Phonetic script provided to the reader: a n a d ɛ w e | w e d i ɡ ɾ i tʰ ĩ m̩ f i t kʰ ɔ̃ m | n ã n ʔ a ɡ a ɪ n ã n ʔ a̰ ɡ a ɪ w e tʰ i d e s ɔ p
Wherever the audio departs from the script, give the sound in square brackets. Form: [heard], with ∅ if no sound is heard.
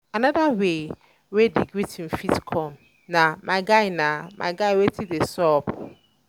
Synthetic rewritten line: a n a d [a] w e | w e d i ɡ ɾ i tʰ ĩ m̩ f i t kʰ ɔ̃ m | n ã [m] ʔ a ɡ a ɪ n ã [m] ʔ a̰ ɡ a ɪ w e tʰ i d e s ɔ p